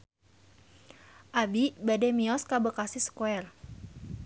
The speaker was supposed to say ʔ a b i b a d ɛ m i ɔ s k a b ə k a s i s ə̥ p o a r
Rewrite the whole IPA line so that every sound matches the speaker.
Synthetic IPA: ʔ a b i b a d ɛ m i ɔ s k a b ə k a s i s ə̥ k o ɛ r